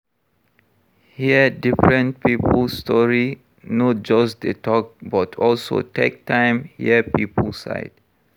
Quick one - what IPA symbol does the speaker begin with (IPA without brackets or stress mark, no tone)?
h